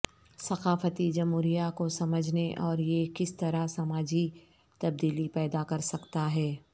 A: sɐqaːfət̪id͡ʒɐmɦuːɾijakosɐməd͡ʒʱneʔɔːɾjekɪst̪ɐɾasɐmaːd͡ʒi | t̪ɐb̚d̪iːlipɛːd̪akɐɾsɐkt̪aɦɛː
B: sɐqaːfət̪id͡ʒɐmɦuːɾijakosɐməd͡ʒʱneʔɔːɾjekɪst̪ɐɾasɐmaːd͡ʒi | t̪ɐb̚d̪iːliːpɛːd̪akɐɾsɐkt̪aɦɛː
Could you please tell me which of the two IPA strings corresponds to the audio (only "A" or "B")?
A